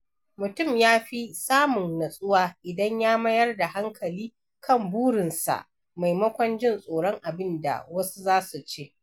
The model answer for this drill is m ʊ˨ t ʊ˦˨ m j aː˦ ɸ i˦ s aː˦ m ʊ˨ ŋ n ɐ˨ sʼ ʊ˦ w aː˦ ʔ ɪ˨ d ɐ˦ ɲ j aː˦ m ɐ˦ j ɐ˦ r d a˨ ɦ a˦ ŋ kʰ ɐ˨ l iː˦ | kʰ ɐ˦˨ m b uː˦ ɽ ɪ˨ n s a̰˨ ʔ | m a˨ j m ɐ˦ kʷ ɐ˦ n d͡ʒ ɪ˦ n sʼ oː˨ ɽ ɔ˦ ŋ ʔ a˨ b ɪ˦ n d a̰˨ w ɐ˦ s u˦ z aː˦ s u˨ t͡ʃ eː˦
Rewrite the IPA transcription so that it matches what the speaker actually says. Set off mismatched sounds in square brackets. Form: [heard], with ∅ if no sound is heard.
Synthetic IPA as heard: m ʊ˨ t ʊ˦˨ m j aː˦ ɸ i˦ s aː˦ m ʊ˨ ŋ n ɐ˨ sʼ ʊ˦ w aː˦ ʔ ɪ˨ d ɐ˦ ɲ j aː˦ m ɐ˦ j ɐ˦ r d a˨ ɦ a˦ ŋ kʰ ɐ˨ l iː˦ | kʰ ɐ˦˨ m b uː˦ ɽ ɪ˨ n s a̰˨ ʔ | m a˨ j m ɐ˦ kʷ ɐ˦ n d͡ʒ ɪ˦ n sʼ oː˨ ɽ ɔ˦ ŋ ʔ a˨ b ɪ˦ n d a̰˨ w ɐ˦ s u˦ z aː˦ s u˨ t͡ʃ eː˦

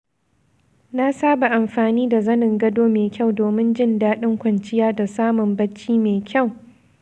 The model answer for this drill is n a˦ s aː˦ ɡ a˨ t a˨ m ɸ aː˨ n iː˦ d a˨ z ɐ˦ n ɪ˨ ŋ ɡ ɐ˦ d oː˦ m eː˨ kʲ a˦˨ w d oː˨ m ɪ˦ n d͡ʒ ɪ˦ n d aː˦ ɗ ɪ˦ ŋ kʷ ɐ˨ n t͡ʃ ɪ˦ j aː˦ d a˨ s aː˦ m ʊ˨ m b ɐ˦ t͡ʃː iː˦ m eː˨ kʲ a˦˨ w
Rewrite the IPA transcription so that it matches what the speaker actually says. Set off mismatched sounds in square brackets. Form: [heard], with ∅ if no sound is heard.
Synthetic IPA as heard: n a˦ s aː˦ [b] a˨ [ʔ] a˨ m ɸ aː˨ n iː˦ d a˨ z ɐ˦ n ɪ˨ ŋ ɡ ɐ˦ d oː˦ m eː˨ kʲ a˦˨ w d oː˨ m ɪ˦ n d͡ʒ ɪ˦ n d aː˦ ɗ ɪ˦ ŋ kʷ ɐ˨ n t͡ʃ ɪ˦ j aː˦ d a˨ s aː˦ m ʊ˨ m b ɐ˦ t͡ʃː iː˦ m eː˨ kʲ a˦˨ w

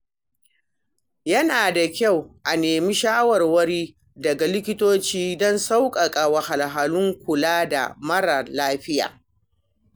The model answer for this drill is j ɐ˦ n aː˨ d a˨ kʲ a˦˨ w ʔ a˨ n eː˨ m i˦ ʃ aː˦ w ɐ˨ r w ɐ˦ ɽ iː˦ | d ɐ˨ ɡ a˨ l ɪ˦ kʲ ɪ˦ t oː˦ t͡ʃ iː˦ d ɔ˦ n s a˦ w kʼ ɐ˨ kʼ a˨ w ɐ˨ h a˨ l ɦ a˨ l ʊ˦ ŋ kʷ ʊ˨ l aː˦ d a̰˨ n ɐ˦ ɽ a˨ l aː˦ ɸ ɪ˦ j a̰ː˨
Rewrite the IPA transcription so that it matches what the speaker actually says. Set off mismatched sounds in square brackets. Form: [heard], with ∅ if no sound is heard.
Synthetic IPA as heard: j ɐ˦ n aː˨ d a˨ kʲ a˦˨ w ʔ a˨ n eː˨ m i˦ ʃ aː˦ w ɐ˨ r w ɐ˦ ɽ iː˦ | d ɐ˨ ɡ a˨ l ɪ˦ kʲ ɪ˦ t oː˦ t͡ʃ iː˦ d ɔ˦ n s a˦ w kʼ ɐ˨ kʼ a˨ w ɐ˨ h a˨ l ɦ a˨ l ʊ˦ ŋ kʷ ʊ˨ l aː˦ d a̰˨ [m] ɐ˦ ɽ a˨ l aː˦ ɸ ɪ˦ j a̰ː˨

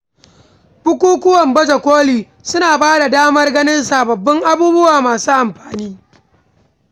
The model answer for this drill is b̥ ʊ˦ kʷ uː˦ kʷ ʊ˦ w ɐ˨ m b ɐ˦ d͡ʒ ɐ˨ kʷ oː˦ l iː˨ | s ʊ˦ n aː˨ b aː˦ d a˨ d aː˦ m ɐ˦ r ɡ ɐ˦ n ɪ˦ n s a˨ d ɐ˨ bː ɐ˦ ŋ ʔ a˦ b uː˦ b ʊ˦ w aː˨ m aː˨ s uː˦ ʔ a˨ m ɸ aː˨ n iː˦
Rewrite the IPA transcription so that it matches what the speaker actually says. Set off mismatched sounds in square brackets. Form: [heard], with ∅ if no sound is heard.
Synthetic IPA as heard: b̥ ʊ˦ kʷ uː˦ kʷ ʊ˦ w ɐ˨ m b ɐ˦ d͡ʒ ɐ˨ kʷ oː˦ l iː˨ | s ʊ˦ n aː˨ b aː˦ d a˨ d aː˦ m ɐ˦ r ɡ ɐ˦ n ɪ˦ n s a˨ [b] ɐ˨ bː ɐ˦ ŋ ʔ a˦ b uː˦ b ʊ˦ w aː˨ m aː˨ s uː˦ ʔ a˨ m ɸ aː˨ n iː˦

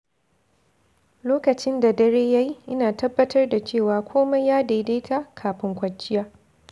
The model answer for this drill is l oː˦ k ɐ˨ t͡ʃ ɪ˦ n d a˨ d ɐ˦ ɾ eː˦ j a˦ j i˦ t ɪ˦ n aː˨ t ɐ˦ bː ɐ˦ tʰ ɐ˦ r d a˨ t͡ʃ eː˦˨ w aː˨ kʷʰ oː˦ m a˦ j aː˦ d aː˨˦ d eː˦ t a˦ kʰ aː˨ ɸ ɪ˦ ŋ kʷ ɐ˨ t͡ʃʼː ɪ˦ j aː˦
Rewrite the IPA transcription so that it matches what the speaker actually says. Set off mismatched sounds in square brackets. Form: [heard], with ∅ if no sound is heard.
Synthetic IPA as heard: l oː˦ k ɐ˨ t͡ʃ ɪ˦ n d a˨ d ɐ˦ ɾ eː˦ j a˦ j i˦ [ʔ] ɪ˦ n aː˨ t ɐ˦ bː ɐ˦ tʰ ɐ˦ r d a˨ t͡ʃ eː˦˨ w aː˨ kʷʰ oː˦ m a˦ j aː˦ d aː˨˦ d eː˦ t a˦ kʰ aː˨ ɸ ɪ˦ ŋ kʷ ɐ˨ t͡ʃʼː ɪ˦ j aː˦

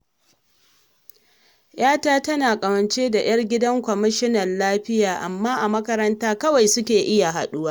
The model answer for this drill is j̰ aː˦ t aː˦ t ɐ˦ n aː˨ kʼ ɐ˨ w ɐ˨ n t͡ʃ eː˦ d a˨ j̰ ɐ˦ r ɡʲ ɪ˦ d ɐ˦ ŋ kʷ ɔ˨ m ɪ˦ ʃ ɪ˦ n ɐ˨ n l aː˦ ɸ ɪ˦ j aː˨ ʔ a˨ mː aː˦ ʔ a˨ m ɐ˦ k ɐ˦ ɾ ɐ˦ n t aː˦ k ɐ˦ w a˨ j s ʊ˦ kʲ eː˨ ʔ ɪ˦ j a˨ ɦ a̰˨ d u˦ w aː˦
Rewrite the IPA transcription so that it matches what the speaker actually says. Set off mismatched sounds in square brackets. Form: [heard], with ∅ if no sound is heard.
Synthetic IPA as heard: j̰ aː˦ t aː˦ t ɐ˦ n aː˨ kʼ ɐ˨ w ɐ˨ n t͡ʃ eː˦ d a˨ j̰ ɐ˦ r ɡʲ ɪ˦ d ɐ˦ ŋ kʷ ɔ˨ m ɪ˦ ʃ ɪ˦ n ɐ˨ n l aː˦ ɸ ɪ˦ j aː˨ ʔ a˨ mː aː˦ ʔ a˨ m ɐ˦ k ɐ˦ ɾ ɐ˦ n t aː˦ k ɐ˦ w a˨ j s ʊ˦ kʲ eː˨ ʔ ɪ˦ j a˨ ɦ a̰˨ [ɗ] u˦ w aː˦

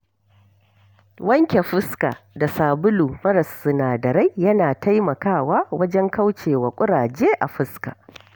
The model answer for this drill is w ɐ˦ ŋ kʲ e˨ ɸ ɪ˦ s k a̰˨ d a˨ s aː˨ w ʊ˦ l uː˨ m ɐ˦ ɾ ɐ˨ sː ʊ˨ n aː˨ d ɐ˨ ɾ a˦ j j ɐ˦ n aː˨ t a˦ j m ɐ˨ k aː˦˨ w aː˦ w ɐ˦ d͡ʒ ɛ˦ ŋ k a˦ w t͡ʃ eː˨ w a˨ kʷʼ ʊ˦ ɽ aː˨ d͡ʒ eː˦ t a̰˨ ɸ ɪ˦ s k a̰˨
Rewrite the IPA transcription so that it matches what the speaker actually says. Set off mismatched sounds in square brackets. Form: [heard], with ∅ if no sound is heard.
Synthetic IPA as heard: w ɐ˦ ŋ kʲ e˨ ɸ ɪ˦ s k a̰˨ d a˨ s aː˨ [b] ʊ˦ l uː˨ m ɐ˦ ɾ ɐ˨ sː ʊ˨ n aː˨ d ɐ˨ ɾ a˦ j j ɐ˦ n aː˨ t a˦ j m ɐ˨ k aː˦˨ w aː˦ w ɐ˦ d͡ʒ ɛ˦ ŋ k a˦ w t͡ʃ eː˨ w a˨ kʷʼ ʊ˦ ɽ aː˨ d͡ʒ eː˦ [ʔ] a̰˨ ɸ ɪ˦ s k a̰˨

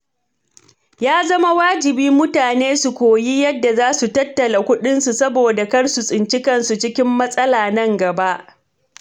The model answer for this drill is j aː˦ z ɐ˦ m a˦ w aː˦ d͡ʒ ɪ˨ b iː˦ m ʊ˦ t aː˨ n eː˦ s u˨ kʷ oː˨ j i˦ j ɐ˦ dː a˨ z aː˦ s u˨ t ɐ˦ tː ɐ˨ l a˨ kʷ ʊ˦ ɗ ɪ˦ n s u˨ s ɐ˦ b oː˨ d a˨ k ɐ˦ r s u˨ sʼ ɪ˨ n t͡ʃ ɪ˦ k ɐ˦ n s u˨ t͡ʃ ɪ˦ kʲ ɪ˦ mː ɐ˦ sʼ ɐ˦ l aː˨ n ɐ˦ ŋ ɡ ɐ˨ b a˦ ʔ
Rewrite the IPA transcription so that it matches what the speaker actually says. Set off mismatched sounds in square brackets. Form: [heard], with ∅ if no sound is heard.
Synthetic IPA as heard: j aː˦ z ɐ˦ m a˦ w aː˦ d͡ʒ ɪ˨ b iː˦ m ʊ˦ t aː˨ n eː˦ s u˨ kʷ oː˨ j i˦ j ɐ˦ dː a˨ z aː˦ s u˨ t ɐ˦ tː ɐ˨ l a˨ kʷ ʊ˦ ɗ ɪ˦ n s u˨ s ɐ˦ b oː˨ d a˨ k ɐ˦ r s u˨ sʼ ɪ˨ n t͡ʃ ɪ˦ k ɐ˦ n s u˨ t͡ʃ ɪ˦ kʲ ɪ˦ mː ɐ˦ sʼ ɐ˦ l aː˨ n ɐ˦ ŋ ɡ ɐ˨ b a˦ ʔ

